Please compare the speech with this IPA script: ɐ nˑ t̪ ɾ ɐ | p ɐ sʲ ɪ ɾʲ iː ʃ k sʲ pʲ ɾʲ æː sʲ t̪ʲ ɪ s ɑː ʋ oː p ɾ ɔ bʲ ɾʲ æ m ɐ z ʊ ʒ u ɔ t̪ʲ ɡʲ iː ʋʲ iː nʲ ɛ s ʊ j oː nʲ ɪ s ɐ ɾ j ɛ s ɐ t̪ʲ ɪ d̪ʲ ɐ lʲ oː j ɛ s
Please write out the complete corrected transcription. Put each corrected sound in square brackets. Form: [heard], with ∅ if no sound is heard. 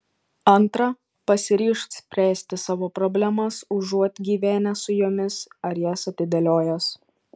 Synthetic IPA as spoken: ɐ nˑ t̪ ɾ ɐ | p ɐ sʲ ɪ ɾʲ iː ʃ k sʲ pʲ ɾʲ æː sʲ t̪ʲ ɪ s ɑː ʋ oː p ɾ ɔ bʲ [lʲ] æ m ɐ [s] ʊ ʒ u ɔ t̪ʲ ɡʲ iː ʋʲ [æː] nʲ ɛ s ʊ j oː [mʲ] ɪ s ɐ ɾ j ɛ s ɐ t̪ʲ ɪ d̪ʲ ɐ lʲ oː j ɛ s